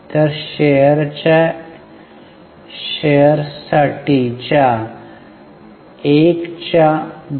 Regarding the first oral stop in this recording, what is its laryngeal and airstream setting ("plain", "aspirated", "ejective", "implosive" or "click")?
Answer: plain